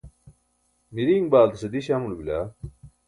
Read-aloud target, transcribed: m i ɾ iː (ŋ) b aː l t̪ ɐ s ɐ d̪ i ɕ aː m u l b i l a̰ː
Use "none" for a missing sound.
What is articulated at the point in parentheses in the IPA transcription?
ŋ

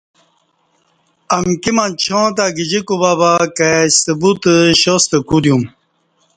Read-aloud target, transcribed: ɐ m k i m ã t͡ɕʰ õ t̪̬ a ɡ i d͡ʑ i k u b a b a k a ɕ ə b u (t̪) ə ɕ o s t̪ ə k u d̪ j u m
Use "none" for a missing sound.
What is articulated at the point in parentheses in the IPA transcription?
t̪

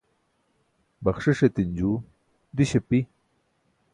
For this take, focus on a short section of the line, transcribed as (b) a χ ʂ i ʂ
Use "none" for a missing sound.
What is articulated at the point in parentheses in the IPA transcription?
b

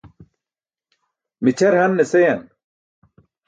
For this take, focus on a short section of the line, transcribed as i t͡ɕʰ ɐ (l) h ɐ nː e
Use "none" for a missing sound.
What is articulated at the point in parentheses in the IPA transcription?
ɾ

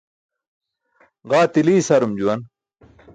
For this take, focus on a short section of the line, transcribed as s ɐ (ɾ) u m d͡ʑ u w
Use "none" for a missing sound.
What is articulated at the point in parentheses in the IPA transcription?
ɾ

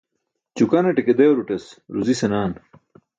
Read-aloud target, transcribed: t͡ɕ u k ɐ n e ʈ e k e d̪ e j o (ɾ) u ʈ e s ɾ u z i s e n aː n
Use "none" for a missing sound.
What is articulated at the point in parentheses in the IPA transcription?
ɾ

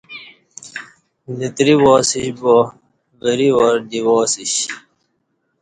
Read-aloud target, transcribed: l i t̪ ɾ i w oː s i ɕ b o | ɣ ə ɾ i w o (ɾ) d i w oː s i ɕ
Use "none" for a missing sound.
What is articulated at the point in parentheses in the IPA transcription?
ɾ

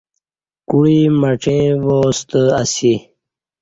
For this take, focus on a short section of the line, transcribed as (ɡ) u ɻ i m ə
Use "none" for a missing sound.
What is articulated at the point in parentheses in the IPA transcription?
k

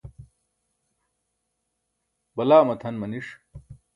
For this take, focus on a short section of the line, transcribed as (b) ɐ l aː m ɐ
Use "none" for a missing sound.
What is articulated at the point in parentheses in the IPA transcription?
b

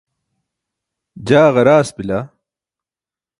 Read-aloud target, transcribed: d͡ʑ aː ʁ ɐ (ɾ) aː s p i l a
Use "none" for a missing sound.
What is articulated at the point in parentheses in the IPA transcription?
ɾ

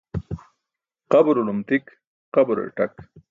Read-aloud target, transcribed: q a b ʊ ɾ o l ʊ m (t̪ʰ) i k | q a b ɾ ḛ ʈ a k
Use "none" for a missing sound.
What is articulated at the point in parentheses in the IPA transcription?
t̪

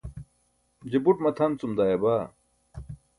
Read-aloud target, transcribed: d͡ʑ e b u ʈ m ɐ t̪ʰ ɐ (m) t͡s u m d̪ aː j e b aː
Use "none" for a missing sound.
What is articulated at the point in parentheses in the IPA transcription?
n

